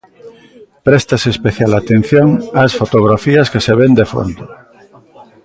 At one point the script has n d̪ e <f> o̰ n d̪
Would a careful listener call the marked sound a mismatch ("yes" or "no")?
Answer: no